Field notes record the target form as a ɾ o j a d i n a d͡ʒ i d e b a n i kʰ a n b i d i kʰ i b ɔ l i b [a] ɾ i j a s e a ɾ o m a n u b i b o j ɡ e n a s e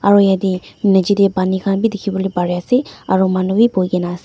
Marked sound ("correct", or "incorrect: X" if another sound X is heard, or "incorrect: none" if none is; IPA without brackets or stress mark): correct